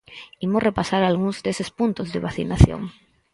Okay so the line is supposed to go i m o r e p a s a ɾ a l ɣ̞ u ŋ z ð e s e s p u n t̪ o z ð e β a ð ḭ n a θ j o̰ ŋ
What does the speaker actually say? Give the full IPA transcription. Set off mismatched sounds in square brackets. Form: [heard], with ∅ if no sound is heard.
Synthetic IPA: i m o r e p a s a ɾ a l ɣ̞ u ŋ z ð e s e s p u n t̪ o z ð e β a [θ] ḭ n a θ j o̰ ŋ